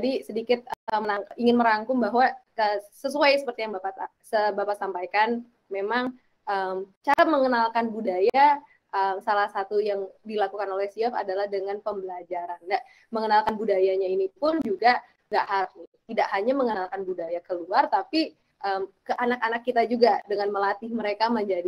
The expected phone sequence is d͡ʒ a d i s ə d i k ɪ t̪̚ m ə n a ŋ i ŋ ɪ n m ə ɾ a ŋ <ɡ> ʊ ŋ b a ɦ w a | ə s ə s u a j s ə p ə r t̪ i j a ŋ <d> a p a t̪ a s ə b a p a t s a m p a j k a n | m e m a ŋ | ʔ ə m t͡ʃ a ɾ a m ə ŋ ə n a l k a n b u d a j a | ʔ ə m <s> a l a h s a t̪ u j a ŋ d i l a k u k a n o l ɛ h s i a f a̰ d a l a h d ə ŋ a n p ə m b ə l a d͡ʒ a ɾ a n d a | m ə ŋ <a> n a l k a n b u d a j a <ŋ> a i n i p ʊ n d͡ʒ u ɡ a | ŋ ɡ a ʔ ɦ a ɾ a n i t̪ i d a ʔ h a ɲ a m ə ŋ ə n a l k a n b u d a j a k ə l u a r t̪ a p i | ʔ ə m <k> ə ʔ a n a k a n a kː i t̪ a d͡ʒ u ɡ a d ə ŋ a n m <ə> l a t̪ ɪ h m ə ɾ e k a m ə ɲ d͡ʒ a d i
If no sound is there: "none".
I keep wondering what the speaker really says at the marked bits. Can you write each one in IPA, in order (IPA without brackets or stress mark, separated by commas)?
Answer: k, b, s, ə, ɲ, k, ə